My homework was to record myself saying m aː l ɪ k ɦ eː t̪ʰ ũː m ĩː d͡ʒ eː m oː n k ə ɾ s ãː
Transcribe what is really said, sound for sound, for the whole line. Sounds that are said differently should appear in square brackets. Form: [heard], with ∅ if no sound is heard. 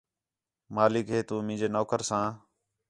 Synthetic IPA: m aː l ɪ k ɦ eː [t̪] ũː m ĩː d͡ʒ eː [n] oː [∅] k ə ɾ s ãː

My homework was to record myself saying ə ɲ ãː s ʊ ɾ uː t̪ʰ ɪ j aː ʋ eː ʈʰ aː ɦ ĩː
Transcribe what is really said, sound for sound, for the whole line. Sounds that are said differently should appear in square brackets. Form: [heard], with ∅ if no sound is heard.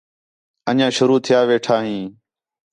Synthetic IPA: ə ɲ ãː [ʃ] ʊ ɾ uː t̪ʰ ɪ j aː ʋ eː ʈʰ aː ɦ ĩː

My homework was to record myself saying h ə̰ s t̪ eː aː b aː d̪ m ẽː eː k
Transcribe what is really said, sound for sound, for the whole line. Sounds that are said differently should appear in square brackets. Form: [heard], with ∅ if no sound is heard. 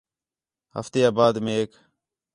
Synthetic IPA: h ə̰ [f] t̪ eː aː b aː d̪ m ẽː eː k

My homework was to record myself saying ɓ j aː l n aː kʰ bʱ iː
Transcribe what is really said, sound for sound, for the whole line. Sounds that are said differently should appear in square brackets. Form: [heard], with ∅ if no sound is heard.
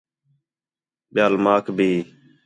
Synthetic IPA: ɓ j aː l [m] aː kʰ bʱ iː

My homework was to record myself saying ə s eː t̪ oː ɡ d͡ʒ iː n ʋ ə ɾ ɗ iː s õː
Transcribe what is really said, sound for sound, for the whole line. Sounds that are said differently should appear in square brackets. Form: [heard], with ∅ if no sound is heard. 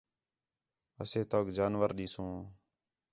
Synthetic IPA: ə s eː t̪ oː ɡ d͡ʒ [aː] n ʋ ə ɾ ɗ iː s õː

